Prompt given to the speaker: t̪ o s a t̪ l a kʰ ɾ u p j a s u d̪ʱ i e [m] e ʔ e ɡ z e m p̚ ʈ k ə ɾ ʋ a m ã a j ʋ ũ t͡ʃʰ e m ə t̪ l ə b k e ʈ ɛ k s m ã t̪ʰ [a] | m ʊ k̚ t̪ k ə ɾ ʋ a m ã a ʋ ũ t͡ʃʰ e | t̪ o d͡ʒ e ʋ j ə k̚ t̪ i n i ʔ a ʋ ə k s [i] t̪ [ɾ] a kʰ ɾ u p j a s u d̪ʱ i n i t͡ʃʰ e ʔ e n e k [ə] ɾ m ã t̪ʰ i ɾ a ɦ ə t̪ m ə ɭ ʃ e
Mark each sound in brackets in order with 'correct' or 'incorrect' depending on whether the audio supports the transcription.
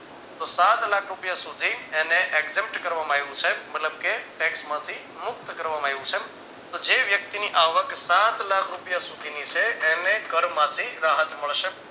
incorrect, incorrect, incorrect, incorrect, correct

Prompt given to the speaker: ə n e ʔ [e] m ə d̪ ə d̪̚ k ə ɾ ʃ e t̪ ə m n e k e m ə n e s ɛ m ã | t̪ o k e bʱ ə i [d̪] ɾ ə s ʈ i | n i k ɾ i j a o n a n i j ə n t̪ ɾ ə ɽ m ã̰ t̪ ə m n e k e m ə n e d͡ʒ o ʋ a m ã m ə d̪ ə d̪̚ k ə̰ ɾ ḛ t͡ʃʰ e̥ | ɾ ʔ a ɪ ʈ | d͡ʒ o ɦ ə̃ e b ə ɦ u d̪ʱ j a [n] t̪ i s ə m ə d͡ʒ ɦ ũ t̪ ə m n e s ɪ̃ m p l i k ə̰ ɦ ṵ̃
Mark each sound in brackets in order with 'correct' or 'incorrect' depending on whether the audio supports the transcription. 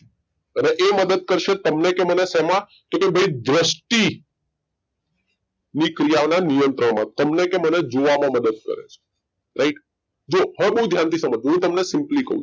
correct, correct, correct

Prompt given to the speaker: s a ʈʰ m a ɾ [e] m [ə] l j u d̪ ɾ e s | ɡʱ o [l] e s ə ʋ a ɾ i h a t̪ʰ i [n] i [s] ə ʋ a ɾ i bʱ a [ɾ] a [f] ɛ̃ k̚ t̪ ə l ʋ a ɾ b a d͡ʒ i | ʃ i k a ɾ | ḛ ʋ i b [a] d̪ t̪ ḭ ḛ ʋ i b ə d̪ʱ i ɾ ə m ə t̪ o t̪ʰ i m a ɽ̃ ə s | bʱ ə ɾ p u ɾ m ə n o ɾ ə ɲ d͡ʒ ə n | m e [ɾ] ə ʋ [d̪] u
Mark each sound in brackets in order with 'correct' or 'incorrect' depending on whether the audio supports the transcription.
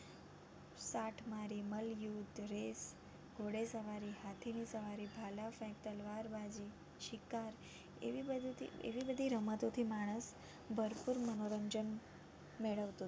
incorrect, correct, incorrect, correct, correct, incorrect, correct, incorrect, incorrect, incorrect

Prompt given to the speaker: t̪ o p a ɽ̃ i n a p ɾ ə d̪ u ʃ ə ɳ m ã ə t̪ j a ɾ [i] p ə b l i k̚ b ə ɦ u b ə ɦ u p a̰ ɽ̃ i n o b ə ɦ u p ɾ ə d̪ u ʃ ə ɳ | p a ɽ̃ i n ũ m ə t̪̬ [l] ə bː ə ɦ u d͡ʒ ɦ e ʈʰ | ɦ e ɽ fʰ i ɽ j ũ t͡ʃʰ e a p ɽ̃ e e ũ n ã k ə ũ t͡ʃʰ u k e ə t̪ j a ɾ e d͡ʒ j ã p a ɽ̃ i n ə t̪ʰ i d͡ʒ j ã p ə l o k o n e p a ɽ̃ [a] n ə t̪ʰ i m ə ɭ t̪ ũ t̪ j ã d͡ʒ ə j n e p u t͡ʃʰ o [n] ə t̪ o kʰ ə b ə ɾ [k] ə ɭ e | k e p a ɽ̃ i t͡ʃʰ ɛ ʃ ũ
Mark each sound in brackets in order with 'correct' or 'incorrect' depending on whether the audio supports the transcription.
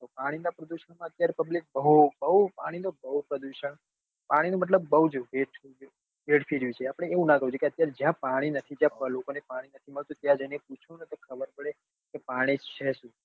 incorrect, correct, incorrect, correct, incorrect

